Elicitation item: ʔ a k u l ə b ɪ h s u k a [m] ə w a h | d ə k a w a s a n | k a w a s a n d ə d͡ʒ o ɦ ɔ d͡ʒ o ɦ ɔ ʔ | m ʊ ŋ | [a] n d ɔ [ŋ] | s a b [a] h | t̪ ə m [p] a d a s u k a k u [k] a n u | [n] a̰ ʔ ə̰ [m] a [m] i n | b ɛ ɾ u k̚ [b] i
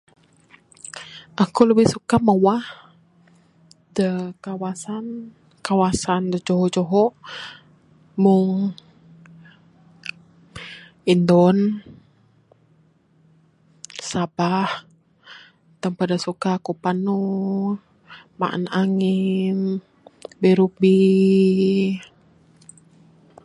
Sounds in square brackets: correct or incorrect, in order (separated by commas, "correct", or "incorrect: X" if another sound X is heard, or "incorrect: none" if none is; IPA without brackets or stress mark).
correct, incorrect: i, incorrect: n, correct, correct, incorrect: p, incorrect: m, incorrect: n, incorrect: ŋ, correct